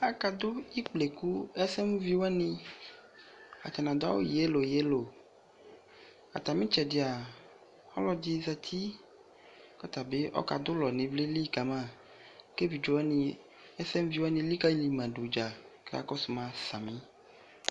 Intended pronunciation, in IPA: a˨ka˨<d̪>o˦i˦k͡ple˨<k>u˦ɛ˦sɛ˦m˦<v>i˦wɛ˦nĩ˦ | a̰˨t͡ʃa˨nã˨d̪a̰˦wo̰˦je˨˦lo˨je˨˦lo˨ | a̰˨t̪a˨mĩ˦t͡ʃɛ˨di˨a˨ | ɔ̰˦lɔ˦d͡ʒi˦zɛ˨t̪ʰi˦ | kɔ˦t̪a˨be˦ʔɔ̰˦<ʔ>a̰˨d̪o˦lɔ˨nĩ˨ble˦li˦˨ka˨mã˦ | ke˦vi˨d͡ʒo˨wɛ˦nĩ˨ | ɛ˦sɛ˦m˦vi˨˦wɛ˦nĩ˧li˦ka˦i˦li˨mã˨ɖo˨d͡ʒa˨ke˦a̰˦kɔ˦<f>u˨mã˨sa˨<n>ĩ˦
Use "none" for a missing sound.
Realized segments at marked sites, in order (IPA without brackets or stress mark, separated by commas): d̪, k, v, k, s, m